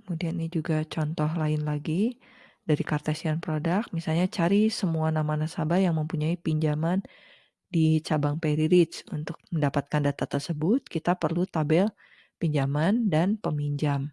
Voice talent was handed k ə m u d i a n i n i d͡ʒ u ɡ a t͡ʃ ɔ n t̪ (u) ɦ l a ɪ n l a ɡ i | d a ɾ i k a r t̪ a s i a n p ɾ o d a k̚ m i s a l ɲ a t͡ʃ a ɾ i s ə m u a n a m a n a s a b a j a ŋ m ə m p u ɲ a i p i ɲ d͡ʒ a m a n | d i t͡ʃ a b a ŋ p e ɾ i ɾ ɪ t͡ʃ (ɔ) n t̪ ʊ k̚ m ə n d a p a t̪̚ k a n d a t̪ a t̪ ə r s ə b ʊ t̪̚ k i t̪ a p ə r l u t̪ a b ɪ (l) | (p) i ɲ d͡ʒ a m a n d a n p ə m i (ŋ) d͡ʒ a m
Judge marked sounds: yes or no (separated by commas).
no, no, yes, yes, no